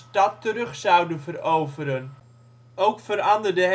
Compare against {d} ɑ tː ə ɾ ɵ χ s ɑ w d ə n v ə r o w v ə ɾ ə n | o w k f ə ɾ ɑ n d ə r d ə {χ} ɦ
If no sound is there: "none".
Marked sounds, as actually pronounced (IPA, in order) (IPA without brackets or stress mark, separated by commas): t, none